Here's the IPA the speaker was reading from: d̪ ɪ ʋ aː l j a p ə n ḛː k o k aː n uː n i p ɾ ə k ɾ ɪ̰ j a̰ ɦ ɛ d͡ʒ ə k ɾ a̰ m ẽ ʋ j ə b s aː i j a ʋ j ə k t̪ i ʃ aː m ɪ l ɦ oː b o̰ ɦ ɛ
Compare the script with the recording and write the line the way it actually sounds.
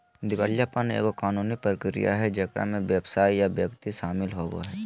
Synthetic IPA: d̪ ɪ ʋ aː l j a p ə n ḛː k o k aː n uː n i p ɾ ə k ɾ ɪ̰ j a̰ ɦ ɛ d͡ʒ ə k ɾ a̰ m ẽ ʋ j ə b s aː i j a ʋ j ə k t̪ i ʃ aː m ɪ l ɦ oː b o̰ ɦ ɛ